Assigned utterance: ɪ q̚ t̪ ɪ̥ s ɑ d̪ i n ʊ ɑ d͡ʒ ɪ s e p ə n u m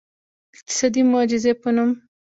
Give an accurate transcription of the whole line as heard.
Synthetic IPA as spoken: ɪ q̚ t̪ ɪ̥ s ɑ d̪ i m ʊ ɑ d͡ʒ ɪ z e p ə n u m